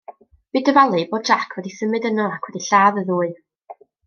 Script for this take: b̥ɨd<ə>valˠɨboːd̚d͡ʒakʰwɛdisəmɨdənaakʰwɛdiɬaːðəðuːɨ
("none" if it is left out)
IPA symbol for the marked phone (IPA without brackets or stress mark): ə